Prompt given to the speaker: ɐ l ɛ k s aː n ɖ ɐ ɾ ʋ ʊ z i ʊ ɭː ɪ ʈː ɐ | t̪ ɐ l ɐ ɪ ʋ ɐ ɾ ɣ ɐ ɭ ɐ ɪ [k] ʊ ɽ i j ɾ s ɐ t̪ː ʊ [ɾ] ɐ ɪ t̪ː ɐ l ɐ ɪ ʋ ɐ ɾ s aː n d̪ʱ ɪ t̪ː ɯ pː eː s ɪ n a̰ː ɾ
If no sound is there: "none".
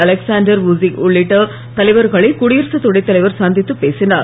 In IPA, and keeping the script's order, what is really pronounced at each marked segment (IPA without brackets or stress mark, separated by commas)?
k, ɽ